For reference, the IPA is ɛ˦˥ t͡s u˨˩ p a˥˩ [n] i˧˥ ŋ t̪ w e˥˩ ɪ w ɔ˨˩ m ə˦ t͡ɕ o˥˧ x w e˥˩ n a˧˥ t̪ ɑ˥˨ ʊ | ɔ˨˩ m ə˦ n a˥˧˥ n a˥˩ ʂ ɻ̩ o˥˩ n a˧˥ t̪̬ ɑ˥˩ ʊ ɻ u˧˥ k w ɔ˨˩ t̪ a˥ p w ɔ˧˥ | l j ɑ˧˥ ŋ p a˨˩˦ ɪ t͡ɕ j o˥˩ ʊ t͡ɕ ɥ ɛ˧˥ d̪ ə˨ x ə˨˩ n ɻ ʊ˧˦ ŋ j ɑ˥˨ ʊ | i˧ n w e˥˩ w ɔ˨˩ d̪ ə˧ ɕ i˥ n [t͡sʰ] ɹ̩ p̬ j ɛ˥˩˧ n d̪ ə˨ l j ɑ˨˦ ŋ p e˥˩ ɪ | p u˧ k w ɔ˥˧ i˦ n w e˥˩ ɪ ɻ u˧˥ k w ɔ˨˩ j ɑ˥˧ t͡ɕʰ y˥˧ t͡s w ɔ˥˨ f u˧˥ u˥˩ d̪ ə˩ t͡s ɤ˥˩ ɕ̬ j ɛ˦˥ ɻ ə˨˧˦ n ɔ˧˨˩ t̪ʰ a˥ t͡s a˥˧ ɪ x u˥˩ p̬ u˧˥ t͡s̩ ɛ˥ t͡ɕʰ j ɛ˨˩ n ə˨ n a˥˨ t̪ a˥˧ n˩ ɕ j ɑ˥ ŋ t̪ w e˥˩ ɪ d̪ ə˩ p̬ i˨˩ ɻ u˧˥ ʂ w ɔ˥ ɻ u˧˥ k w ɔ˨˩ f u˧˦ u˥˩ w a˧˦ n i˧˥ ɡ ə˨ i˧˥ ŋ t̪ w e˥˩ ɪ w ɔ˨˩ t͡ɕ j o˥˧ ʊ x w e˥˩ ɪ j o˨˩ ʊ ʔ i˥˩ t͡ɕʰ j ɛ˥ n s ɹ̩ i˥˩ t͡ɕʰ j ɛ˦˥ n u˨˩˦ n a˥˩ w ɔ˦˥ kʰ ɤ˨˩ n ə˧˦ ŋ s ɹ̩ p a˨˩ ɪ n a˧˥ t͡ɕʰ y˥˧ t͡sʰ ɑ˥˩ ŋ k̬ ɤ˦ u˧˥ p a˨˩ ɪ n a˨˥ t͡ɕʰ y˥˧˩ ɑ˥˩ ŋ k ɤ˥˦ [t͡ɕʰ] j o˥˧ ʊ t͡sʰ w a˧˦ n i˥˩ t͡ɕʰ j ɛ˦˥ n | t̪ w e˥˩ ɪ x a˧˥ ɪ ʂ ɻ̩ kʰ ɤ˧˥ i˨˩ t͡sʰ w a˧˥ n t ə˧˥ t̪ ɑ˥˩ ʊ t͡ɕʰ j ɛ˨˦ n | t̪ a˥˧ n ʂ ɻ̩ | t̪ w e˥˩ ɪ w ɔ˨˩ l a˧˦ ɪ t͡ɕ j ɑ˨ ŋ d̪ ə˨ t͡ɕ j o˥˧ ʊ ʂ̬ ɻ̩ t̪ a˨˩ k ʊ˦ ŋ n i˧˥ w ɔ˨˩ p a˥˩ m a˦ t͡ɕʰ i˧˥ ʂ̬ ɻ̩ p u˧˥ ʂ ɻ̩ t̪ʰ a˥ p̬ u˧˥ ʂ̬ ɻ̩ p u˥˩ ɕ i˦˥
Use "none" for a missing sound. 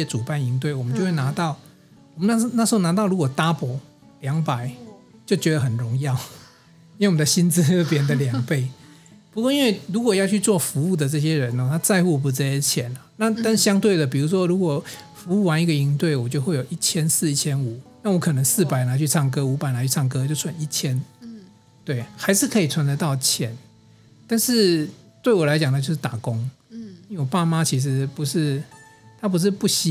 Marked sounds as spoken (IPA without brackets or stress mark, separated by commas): n, t͡s, t͡ɕ